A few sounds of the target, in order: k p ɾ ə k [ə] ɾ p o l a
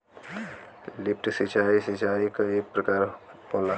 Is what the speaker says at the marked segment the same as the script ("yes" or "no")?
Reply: no